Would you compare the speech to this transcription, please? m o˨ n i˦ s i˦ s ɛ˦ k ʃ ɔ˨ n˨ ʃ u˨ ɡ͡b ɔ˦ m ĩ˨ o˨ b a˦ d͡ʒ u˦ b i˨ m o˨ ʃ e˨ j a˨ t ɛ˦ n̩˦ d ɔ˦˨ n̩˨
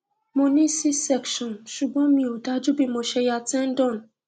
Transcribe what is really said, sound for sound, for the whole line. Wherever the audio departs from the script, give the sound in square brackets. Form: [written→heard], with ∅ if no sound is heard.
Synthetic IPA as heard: m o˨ n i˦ s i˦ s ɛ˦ k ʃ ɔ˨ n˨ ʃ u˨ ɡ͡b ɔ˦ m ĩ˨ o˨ [b→d] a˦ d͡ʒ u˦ b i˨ m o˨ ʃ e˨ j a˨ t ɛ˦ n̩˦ d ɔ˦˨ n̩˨

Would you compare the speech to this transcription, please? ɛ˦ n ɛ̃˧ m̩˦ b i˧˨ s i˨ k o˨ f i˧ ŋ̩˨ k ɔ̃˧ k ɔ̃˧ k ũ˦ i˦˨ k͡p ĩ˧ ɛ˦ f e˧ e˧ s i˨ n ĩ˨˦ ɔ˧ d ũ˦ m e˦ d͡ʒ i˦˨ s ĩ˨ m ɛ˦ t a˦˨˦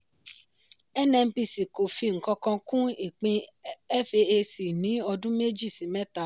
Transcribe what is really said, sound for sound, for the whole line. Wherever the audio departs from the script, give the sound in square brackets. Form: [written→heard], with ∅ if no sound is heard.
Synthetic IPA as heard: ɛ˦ n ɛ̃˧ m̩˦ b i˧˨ s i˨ k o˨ f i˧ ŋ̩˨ k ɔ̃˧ k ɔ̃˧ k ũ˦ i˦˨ k͡p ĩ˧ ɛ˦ f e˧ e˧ s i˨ n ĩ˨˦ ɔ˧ d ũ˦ m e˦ d͡ʒ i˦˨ s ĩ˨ m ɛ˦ t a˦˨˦

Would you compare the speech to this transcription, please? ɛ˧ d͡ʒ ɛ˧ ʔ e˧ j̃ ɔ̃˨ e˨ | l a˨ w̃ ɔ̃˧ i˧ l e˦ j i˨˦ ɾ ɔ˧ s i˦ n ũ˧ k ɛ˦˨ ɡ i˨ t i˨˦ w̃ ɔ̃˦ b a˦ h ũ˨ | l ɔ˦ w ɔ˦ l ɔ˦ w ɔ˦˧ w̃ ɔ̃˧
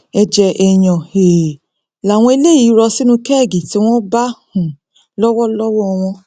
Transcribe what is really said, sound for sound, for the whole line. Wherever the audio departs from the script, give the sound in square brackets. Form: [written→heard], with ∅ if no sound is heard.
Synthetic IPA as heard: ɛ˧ d͡ʒ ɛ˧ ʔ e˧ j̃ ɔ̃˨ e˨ | l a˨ w̃ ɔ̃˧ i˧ l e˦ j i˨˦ ɾ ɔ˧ s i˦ n ũ˧ k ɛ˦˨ ɡ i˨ t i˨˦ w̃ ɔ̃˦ b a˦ h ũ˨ | l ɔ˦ w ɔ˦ l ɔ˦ w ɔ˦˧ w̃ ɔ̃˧

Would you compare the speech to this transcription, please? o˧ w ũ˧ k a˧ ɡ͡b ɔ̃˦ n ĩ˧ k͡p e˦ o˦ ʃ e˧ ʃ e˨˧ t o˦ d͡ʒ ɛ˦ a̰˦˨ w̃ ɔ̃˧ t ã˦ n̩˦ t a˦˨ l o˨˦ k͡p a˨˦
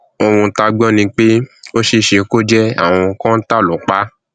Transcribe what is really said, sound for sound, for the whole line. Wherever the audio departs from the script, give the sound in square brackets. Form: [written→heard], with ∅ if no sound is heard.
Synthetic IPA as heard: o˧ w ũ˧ [k→t] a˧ ɡ͡b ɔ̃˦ n ĩ˧ k͡p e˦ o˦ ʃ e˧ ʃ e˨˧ [t→k] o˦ d͡ʒ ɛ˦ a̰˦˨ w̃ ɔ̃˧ [t→k] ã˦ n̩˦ t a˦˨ l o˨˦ k͡p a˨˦

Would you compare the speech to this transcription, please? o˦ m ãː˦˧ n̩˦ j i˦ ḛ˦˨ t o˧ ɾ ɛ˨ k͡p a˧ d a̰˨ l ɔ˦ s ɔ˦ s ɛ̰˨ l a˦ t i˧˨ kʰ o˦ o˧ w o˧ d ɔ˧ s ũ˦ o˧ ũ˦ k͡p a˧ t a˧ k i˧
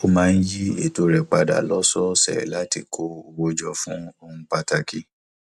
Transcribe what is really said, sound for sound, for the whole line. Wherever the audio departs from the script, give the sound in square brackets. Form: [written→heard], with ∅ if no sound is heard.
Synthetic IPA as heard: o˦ m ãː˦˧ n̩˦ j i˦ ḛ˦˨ t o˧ ɾ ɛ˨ k͡p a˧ d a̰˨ l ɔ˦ s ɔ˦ s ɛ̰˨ l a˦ t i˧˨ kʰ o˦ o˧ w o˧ [d→d͡ʒ] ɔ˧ [s→f] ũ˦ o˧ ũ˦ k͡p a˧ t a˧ k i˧

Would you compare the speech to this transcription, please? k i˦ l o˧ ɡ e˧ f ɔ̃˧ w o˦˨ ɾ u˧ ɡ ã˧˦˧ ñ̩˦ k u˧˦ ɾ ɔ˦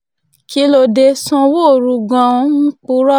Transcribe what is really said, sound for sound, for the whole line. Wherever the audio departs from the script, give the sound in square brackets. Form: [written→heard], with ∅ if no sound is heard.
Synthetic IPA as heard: k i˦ l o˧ [ɡ→d] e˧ [f→s] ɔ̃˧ w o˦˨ ɾ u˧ ɡ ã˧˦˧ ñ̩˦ [k→k͡p] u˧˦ ɾ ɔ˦

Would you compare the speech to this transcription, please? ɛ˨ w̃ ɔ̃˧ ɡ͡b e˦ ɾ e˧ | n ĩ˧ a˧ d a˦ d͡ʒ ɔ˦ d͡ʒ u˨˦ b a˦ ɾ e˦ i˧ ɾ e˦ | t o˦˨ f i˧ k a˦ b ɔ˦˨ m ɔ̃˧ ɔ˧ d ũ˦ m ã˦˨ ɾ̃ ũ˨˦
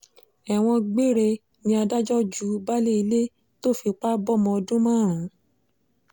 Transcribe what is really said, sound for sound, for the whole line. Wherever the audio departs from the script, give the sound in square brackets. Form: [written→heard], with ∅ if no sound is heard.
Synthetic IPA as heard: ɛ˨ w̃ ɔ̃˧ ɡ͡b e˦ ɾ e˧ | n ĩ˧ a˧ d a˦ d͡ʒ ɔ˦ d͡ʒ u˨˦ b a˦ [ɾ→l] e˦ i˧ [ɾ→l] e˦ | t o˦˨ f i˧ [k→k͡p] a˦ b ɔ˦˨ m ɔ̃˧ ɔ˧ d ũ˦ m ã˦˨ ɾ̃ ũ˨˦

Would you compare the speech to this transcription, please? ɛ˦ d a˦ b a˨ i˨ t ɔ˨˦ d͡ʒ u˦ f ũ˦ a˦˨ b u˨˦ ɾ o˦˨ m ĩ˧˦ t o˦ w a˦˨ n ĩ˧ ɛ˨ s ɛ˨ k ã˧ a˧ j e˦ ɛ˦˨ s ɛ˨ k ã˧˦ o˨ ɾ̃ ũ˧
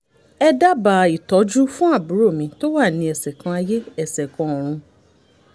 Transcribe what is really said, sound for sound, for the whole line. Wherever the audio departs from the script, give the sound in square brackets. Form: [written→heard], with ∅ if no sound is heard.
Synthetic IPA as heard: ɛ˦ d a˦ b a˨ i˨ t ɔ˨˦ d͡ʒ u˦ f ũ˦ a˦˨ b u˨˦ ɾ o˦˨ m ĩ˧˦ t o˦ w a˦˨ n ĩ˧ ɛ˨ s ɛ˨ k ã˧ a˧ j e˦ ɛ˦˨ s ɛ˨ k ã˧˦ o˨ ɾ̃ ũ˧

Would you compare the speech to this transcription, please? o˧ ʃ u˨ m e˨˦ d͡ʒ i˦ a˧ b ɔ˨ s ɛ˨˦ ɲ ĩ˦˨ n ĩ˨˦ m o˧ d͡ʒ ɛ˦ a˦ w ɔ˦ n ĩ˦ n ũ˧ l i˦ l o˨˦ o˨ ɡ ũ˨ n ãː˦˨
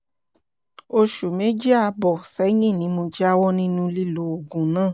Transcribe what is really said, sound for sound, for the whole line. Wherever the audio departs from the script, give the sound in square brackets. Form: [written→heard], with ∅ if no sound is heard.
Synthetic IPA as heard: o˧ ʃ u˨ m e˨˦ d͡ʒ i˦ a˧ b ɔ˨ s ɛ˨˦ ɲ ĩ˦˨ n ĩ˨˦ m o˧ d͡ʒ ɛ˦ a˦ w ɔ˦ n ĩ˦ n ũ˧ l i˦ l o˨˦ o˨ ɡ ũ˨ n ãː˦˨

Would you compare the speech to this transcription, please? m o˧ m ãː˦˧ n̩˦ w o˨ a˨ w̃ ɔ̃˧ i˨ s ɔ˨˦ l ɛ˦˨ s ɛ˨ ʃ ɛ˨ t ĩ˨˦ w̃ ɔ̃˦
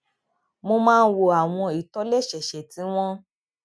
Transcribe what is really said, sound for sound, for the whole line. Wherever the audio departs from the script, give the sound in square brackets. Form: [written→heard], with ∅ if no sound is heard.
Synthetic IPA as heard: m o˧ m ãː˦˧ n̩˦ w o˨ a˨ w̃ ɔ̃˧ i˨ [s→t] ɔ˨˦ l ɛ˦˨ [s→ʃ] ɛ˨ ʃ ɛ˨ t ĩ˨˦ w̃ ɔ̃˦

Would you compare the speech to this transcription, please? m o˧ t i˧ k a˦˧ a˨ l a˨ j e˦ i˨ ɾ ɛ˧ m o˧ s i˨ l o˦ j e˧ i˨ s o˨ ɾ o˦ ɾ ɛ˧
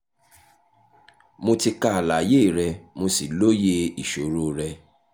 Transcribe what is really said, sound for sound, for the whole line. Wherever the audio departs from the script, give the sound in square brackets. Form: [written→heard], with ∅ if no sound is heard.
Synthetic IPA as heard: m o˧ t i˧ k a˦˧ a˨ l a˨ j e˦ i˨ ɾ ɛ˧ m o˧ s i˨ l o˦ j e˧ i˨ [s→ʃ] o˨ ɾ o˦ ɾ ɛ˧

